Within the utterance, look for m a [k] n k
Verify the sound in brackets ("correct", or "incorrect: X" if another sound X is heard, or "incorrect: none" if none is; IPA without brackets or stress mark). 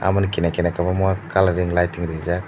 incorrect: none